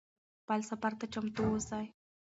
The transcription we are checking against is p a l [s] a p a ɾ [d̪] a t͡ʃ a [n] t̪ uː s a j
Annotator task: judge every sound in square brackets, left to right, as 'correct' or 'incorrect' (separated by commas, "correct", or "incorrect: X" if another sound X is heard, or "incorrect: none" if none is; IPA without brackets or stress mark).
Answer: correct, incorrect: t̪, incorrect: m